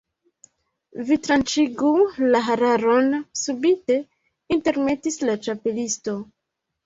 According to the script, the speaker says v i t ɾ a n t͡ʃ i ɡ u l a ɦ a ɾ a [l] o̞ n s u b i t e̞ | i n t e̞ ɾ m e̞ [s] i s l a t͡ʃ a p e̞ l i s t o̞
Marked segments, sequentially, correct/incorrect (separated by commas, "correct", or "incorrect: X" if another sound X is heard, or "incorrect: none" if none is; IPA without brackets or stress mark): incorrect: ɾ, incorrect: t